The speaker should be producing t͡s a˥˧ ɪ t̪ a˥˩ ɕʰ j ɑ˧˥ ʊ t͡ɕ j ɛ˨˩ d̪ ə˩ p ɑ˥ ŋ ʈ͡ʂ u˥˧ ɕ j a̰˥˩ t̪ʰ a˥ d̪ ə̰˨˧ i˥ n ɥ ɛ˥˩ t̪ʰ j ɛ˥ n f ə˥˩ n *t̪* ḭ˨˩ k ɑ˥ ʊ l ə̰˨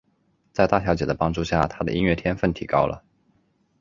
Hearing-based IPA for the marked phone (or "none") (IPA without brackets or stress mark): t̪ʰ